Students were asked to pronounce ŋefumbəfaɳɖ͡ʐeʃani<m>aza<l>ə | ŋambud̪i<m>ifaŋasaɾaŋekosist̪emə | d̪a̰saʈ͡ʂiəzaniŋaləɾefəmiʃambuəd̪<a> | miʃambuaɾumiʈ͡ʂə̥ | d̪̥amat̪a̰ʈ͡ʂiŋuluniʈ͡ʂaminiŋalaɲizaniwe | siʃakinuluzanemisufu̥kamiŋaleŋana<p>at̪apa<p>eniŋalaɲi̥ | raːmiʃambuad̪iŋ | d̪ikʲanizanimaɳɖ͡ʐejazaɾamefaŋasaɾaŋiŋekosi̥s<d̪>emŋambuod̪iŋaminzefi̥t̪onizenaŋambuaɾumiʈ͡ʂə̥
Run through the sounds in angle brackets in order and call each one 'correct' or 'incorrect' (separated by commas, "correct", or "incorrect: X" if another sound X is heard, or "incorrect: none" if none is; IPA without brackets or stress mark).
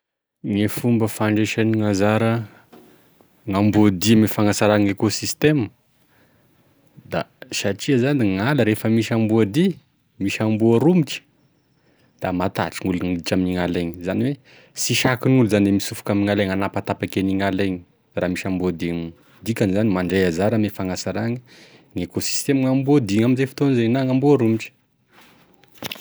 incorrect: ŋ, incorrect: ɾ, correct, incorrect: i, correct, incorrect: k, incorrect: t̪